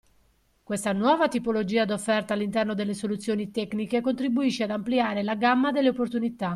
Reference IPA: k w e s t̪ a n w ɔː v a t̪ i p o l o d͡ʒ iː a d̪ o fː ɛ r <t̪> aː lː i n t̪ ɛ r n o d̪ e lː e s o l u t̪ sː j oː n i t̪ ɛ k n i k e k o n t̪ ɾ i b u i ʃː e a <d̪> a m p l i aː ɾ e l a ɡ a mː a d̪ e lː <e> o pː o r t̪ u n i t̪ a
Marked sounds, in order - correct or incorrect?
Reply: correct, correct, correct

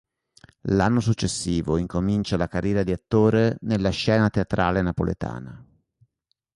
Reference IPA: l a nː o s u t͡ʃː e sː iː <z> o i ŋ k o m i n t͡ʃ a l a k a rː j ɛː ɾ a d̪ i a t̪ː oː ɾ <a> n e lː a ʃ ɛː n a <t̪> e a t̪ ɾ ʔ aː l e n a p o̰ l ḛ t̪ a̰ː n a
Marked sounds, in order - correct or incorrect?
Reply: incorrect: v, incorrect: e, correct

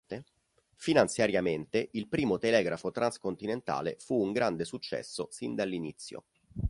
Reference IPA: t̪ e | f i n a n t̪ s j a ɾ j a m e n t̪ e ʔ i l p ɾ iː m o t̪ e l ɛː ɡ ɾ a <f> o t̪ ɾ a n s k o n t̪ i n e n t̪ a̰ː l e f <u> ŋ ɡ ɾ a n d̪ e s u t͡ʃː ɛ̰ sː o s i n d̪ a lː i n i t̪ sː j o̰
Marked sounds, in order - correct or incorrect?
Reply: correct, incorrect: uː

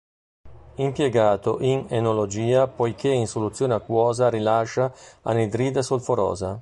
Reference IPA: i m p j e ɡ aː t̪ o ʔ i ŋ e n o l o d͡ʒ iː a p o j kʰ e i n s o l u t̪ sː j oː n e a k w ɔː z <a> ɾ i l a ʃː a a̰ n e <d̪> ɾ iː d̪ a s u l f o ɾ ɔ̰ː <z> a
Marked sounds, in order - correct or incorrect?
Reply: correct, correct, correct

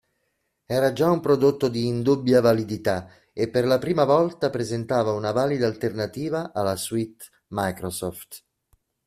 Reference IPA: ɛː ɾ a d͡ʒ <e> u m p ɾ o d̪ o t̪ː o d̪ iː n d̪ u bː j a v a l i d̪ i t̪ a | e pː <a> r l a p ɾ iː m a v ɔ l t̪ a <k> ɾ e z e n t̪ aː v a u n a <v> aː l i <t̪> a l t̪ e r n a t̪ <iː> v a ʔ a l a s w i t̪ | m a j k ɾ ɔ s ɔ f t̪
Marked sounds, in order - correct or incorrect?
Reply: incorrect: a, incorrect: e, incorrect: p, correct, incorrect: d̪, correct

